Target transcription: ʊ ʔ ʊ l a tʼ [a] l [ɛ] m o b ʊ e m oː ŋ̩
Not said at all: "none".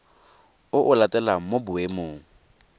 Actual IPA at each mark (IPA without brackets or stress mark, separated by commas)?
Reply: ɛ, a